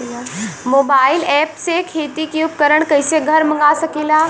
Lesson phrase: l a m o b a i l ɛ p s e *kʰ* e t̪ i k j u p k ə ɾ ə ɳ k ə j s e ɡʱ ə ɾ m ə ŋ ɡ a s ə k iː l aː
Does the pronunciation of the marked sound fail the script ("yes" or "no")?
no